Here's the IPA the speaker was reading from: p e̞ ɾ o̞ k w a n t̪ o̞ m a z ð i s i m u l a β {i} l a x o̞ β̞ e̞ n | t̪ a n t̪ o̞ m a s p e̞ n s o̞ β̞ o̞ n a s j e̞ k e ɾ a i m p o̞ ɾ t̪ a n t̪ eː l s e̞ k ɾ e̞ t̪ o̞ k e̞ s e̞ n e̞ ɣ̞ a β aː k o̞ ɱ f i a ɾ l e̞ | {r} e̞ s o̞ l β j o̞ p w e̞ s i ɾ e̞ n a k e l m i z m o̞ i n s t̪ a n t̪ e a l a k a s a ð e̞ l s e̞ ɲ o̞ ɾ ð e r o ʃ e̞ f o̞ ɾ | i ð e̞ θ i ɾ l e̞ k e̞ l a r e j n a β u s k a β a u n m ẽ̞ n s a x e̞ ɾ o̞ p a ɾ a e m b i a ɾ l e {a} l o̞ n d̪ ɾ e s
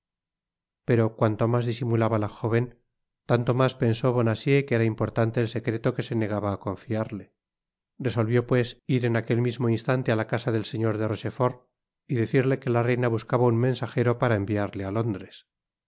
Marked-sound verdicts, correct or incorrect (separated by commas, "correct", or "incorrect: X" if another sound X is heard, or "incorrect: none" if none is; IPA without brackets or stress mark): incorrect: a, correct, correct